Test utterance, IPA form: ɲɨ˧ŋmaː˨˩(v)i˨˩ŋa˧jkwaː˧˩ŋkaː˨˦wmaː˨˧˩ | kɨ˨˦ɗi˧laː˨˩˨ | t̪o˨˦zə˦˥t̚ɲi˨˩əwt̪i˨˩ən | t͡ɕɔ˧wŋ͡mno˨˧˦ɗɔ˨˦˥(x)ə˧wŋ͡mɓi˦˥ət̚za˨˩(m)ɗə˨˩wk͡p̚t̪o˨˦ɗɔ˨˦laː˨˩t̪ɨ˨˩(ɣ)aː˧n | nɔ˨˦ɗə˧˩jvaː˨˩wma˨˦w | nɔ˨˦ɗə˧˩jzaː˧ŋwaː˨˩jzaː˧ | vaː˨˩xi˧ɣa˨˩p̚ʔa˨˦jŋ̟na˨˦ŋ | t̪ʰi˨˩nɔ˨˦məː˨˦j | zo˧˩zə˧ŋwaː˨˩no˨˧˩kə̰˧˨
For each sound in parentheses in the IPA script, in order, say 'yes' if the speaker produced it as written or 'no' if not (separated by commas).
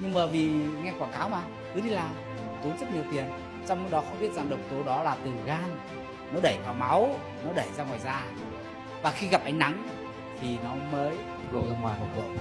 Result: yes, yes, no, yes